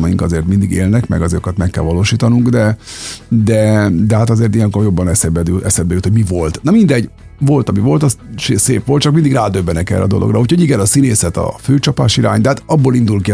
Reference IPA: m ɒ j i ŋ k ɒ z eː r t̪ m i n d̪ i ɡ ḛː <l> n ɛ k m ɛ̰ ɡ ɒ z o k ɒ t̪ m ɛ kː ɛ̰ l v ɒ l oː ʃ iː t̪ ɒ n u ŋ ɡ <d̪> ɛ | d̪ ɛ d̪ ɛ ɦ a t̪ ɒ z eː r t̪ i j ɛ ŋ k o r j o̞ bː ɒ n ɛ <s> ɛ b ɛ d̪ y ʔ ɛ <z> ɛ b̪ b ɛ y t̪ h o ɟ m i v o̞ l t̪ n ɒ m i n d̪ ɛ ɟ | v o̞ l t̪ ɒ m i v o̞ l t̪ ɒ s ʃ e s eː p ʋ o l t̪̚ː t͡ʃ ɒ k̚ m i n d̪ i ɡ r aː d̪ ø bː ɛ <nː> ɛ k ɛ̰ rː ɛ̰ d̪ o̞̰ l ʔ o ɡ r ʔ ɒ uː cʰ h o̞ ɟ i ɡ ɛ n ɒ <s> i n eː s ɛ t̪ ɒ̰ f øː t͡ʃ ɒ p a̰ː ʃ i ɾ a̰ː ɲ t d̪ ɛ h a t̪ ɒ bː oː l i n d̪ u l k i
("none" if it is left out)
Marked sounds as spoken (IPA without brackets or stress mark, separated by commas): l, d̪, s, s, n, s